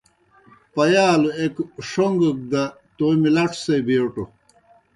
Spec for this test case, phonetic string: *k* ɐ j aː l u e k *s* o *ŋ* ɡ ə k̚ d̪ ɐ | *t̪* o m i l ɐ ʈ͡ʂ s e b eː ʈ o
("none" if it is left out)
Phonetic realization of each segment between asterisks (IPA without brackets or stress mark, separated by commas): p, ʂ, ŋ, t̪